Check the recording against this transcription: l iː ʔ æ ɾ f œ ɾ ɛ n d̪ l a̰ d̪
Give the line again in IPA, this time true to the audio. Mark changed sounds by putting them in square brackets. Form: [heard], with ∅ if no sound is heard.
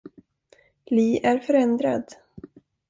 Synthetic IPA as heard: l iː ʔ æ ɾ f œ ɾ ɛ n d̪ [ɾ] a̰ d̪